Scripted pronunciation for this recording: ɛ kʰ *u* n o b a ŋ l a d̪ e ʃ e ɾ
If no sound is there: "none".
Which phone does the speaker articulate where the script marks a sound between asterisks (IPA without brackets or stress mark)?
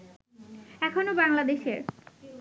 o